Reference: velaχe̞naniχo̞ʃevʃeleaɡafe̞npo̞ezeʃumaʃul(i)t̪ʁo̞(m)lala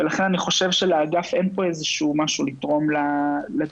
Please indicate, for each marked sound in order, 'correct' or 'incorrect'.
correct, correct

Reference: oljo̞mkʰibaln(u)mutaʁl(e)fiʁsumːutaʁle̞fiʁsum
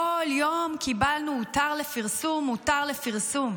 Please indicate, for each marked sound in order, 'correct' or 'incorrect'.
correct, correct

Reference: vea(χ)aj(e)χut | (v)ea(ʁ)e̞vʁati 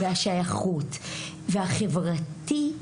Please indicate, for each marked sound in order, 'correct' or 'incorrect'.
incorrect: ʃ, incorrect: a, correct, incorrect: χ

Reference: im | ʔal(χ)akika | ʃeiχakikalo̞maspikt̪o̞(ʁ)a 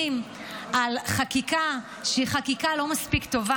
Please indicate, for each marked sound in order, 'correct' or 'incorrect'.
correct, incorrect: v

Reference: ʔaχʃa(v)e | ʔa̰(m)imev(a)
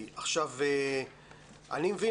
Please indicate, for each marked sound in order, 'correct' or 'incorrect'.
correct, incorrect: n, incorrect: i

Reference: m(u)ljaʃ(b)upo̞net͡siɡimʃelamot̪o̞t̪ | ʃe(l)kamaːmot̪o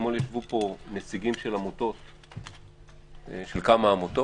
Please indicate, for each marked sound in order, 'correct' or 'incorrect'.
incorrect: o, incorrect: v, correct

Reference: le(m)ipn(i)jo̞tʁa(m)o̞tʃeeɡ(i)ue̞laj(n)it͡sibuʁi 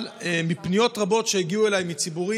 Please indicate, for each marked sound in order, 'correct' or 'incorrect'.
correct, correct, incorrect: b, correct, incorrect: m

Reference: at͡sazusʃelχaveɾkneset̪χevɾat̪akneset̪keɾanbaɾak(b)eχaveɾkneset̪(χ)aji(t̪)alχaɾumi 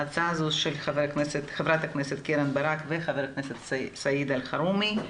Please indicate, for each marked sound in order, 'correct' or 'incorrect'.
incorrect: v, incorrect: s, incorrect: d̪

